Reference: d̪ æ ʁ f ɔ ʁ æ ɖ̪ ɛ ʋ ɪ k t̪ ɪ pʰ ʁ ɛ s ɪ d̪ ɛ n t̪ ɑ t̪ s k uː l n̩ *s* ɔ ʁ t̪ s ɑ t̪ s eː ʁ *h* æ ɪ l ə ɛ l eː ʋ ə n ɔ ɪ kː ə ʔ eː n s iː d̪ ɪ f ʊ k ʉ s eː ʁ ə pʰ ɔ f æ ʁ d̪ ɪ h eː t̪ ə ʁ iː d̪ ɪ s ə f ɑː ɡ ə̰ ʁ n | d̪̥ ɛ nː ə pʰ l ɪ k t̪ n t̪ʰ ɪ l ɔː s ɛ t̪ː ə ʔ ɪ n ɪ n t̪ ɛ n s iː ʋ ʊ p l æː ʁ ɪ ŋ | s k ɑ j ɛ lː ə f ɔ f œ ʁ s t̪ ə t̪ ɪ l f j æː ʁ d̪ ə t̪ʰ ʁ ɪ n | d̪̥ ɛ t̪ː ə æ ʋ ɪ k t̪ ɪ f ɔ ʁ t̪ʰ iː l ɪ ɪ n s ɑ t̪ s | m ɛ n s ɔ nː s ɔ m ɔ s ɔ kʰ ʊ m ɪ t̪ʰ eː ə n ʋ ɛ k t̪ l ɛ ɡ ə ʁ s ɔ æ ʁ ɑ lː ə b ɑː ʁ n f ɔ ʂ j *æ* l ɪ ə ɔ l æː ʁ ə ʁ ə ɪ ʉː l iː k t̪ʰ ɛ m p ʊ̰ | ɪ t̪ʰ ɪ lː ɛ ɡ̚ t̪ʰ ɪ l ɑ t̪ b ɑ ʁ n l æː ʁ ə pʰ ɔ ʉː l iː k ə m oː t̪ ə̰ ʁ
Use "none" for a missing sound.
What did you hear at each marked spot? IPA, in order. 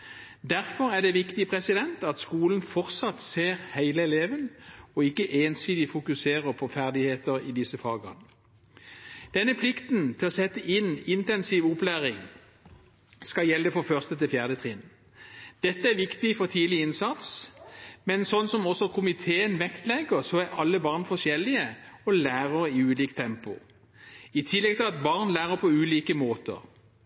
f, h, ɛ

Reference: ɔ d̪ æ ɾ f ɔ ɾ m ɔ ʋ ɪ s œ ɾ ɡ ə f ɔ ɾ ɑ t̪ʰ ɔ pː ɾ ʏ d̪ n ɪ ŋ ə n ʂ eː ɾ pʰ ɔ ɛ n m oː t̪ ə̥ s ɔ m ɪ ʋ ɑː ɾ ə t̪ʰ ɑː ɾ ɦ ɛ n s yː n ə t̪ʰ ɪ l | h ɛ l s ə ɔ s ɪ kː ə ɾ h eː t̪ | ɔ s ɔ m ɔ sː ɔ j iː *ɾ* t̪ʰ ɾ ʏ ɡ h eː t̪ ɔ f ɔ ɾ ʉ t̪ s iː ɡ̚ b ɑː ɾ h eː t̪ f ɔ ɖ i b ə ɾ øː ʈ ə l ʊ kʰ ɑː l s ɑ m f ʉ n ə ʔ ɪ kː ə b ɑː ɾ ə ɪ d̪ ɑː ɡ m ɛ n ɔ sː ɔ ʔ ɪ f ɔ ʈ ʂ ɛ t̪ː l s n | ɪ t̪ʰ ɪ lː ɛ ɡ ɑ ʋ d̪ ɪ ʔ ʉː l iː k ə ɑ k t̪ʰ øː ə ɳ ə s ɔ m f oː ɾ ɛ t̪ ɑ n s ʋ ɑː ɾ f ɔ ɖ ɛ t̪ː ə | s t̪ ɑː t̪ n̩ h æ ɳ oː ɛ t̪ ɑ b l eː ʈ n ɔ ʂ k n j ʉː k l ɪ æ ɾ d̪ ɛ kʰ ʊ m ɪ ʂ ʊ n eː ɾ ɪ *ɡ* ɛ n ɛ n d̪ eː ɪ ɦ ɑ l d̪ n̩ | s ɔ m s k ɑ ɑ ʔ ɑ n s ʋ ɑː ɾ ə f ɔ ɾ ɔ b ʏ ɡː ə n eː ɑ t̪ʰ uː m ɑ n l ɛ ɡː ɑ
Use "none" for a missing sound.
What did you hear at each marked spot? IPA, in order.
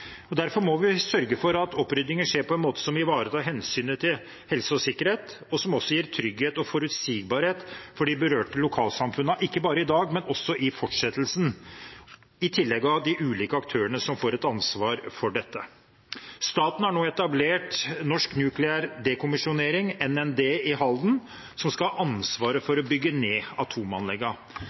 ɾ, ŋ

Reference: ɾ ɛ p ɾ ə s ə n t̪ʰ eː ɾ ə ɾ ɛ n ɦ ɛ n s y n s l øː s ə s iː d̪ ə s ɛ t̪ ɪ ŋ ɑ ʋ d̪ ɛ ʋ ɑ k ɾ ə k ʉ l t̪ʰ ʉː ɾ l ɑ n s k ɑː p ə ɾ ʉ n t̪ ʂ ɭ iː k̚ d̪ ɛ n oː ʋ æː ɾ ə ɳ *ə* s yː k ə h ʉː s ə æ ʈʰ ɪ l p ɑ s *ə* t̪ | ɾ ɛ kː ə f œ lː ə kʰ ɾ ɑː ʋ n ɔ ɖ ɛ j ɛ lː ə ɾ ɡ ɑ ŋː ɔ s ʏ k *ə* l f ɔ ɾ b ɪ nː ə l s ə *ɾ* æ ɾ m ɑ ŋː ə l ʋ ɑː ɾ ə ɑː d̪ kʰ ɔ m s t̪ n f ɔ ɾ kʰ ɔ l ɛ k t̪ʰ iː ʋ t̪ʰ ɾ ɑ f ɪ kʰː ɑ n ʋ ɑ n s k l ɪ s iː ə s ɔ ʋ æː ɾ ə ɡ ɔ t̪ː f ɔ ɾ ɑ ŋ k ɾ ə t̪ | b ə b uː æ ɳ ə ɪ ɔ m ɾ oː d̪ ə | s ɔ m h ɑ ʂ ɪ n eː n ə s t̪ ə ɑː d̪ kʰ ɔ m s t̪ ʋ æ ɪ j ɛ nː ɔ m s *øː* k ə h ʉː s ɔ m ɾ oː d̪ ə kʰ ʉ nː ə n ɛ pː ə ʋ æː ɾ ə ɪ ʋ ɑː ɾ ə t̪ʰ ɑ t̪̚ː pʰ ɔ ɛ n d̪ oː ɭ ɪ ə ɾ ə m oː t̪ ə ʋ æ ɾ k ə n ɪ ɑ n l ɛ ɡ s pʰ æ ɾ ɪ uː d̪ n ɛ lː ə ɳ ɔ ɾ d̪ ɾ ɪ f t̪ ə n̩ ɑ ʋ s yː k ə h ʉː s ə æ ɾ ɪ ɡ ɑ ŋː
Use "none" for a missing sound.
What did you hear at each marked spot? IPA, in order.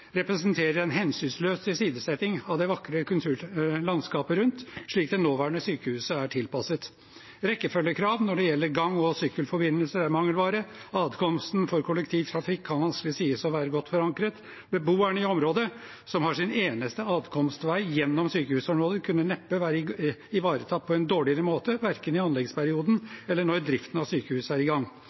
ə, ə, ə, ɾ, yː

